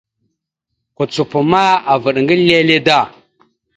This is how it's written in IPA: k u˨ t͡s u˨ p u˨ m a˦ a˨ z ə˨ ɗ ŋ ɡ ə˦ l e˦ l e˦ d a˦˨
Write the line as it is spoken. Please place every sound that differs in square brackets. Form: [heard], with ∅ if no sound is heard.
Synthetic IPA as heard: k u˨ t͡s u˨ p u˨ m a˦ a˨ [v] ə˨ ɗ ŋ ɡ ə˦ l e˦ l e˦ d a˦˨